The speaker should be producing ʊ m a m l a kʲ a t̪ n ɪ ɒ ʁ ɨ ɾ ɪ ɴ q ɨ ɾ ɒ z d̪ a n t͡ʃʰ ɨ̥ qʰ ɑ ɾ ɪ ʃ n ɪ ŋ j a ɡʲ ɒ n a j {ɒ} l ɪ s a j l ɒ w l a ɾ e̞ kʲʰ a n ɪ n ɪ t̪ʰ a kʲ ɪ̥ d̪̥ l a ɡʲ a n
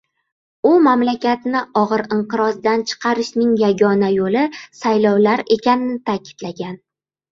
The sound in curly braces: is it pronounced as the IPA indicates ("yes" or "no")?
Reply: no